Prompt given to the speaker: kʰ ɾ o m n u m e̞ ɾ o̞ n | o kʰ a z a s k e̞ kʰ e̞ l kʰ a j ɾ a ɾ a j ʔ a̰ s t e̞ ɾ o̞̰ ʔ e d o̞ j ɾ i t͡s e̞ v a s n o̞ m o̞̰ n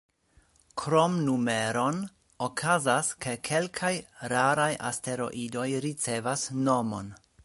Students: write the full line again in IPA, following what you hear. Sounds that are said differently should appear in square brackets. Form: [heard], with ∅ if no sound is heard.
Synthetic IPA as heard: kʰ ɾ o m n u m e̞ ɾ o̞ n | o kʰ a z a s k e̞ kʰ e̞ l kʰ a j ɾ a ɾ a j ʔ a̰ s t e̞ ɾ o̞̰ ʔ [i] d o̞ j ɾ i t͡s e̞ v a s n o̞ m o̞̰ n